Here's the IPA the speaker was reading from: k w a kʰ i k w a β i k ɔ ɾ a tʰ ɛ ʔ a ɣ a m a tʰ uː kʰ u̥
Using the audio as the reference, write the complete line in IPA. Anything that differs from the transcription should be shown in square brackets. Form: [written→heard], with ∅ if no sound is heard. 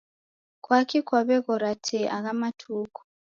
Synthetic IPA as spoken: k w a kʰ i k w a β [i→ɛ] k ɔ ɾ a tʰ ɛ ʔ a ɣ a m a tʰ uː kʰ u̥

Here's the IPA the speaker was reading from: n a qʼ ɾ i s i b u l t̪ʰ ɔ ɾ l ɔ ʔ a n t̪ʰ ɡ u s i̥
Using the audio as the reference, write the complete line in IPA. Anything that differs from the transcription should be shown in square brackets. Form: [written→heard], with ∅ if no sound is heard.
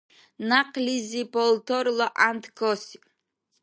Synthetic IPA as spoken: n a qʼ [ɾ→l] i [s→z] i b [u→ɔ] l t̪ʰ ɔ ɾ l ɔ ʔ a n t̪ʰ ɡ [u→ɔ] s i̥

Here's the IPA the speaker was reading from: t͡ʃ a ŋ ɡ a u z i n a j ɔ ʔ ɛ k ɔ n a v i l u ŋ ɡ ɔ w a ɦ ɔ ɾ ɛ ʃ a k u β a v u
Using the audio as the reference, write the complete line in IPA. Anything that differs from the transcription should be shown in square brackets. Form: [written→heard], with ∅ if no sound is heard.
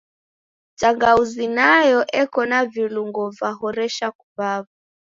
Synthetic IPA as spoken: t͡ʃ a ŋ ɡ a u z i n a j ɔ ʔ ɛ k ɔ n a v i l u ŋ ɡ ɔ [w→v] a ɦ ɔ ɾ ɛ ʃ a k u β a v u

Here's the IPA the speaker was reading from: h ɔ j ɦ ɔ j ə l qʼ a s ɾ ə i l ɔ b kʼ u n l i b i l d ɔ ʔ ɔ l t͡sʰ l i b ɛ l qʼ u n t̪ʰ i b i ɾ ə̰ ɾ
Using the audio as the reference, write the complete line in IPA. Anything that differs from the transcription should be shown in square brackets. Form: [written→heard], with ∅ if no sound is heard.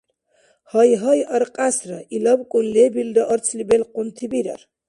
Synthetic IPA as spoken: h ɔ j ɦ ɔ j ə [l→ɾ] qʼ a s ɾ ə i l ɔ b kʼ u n l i b i l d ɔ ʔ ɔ [l→ɾ] t͡sʰ l i b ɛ l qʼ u n t̪ʰ i b i ɾ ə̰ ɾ

